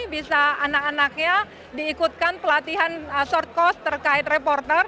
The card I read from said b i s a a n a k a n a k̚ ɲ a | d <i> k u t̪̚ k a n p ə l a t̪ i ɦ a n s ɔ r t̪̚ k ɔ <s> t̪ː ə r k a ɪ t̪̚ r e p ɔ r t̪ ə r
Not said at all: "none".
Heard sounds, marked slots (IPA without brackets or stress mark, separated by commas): iː, s